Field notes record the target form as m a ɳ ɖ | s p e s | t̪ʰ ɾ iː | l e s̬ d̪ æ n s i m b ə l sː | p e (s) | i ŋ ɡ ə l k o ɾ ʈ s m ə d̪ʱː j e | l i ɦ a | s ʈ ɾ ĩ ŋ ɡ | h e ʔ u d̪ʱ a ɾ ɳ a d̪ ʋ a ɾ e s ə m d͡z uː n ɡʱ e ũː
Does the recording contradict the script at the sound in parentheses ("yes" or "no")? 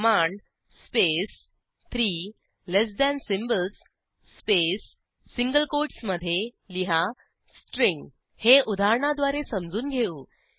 yes